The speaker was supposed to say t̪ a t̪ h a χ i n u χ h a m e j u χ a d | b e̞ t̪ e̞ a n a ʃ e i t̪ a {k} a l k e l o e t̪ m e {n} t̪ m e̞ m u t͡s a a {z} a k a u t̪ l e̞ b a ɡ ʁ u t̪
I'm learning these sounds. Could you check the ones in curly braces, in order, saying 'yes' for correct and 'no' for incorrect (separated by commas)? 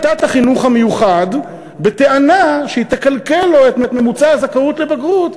yes, no, yes